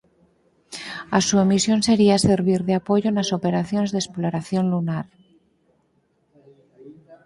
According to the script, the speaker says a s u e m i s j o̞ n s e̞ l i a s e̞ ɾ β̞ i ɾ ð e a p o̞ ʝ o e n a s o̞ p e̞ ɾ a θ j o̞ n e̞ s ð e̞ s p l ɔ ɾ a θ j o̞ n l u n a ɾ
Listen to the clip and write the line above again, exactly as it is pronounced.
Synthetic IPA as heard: a s u e m i s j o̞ n s e̞ ɾ i a s e̞ ɾ β̞ i ɾ ð e a p o̞ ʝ o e n a s o̞ p e̞ ɾ a θ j o̞ n e̞ z ð e̞ s p l o ɾ a θ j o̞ n l u n a ɾ